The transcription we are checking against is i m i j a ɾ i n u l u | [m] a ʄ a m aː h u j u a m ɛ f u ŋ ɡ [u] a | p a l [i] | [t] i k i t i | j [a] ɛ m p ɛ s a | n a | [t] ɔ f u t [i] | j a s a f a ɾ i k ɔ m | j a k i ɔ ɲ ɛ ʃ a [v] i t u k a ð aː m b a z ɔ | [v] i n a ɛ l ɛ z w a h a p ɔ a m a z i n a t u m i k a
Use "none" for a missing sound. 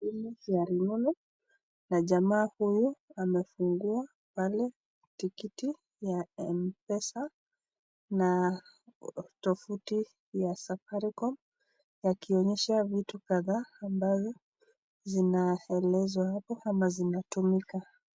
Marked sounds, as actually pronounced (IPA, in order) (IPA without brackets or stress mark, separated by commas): n, u, ɛ, t, a, t, i, v, z